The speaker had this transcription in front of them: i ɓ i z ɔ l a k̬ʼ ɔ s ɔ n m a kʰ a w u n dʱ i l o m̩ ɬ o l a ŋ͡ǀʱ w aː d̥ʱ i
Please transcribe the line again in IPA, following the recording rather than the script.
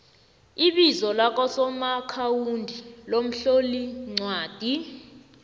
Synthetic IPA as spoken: i ɓ i z ɔ l a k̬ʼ ɔ s ɔ m a kʰ a w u n dʱ i l o m̩ ɬ o l i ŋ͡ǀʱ w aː d̥ʱ i

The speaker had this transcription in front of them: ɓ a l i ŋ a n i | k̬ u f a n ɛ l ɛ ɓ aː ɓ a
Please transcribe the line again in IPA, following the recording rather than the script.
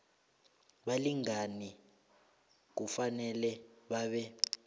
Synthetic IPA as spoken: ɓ a l i ŋ a n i | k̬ u f a n ɛ l ɛ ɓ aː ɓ ɛ

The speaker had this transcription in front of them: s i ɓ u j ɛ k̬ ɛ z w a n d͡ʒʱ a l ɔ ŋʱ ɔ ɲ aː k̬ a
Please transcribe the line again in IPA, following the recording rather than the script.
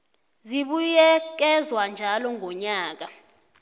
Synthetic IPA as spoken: z i ɓ u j ɛ k̬ ɛ z w a n d͡ʒʱ a l ɔ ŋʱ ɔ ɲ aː k̬ a

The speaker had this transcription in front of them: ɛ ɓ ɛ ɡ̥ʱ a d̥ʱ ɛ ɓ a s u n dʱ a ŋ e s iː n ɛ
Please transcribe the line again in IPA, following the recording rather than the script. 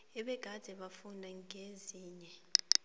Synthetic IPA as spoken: ɛ ɓ ɛ ɡ̥ʱ a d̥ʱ ɛ ɓ a f u n dʱ a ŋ e z iː ɲ ɛ

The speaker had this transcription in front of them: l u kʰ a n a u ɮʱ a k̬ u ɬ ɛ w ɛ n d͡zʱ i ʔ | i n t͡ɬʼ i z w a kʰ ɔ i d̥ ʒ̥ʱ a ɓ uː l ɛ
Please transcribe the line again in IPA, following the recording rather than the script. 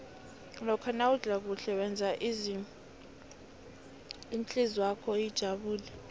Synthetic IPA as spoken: l ɔ kʰ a n a u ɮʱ a k̬ u ɬ ɛ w ɛ n d͡zʱ a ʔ | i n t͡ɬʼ i z w a kʰ ɔ i d̥ ʒ̥ʱ a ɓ uː l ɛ

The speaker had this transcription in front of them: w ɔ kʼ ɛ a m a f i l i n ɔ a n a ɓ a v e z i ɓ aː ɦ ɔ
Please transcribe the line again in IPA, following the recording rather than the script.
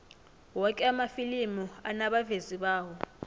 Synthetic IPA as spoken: w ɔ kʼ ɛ a m a f i l i m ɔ a n a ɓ a v e z i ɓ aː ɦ ɔ

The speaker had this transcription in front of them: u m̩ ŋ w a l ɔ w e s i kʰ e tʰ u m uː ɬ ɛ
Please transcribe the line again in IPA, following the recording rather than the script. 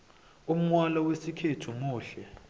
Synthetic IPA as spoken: u m̩ ŋ w a l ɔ w e s i kʰ e tʰ u m uː ɬ ɛ

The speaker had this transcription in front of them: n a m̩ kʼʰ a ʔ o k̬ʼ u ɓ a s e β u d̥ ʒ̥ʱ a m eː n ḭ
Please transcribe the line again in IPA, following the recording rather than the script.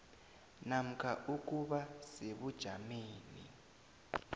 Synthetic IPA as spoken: n a m̩ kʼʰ a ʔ u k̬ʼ u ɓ a s e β u d̥ ʒ̥ʱ a m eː n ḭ

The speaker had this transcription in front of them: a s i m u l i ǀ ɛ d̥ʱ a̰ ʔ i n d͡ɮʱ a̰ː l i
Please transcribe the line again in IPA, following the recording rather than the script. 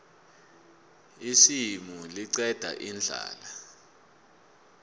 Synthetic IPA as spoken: i s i m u l i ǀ ɛ d̥ʱ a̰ ʔ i n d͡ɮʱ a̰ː l a

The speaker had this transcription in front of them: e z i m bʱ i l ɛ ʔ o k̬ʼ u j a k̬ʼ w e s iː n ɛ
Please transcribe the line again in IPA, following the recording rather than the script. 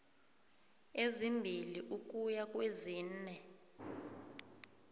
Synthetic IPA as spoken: e z i m bʱ i l i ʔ u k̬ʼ u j a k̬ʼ w e z iː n ɛ

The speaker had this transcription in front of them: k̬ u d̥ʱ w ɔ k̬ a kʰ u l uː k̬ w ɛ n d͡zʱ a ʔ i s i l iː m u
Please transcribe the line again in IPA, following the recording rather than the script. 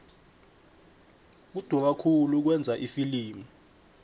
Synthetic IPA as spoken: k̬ u d̥ʱ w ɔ k̬ a kʰ u l u k̬ w ɛ n d͡zʱ a ʔ i f i l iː m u

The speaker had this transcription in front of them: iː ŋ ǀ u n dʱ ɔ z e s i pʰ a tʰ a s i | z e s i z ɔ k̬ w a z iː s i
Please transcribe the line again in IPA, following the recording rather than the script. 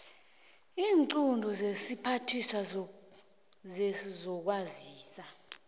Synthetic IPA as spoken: iː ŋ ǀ u n dʱ ɔ z e s i pʰ a tʰ i s a | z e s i z ɔ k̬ w a z iː s a

